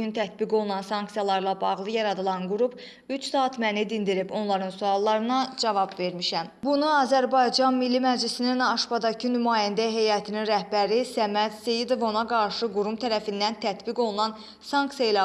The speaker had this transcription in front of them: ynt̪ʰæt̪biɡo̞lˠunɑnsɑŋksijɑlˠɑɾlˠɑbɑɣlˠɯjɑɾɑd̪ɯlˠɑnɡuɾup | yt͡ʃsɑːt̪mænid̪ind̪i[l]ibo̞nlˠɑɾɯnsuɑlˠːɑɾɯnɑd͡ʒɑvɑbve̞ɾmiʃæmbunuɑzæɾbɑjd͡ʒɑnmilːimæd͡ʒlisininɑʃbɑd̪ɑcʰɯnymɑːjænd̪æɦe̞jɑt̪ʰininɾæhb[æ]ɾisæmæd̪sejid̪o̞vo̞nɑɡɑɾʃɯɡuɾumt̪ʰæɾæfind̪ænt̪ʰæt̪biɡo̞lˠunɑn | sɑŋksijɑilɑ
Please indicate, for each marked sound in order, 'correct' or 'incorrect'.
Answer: incorrect, correct

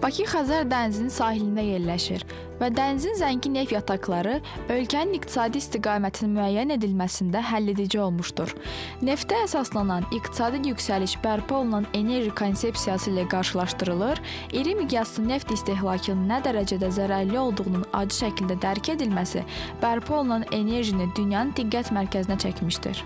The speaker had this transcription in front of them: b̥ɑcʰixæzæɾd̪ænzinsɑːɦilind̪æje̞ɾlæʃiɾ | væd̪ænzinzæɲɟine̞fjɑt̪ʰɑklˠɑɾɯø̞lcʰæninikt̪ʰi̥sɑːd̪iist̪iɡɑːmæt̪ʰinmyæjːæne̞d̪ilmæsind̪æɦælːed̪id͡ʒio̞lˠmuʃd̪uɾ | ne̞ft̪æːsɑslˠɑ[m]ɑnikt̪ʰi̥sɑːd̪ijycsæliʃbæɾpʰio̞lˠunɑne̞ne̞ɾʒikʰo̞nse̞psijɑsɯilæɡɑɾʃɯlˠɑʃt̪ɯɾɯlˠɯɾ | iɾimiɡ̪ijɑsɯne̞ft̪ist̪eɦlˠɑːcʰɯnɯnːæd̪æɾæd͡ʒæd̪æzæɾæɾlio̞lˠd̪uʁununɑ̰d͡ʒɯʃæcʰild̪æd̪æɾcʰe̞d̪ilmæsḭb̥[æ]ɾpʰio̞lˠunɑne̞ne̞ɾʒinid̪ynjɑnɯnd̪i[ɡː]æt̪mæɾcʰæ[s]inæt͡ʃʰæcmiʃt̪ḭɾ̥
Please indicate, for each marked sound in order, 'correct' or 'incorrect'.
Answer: incorrect, correct, correct, incorrect

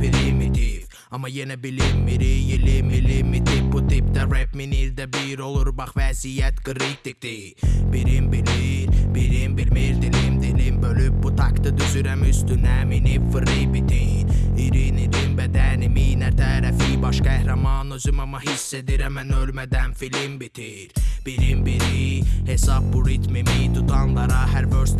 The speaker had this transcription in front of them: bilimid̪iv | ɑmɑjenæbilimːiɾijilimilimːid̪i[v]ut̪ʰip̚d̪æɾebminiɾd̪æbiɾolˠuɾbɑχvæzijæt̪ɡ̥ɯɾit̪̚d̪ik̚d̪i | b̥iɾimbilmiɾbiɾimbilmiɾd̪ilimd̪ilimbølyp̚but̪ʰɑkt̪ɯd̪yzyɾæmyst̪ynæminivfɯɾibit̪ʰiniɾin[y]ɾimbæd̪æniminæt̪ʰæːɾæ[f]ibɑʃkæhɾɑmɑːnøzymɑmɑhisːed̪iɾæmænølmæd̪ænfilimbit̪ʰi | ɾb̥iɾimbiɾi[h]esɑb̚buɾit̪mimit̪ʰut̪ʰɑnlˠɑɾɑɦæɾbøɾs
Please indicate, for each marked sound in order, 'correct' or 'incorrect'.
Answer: incorrect, incorrect, correct, correct

